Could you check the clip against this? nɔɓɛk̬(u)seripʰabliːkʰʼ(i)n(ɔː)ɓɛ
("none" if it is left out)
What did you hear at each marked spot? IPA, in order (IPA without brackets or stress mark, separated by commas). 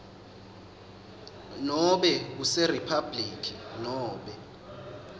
u, i, ɔː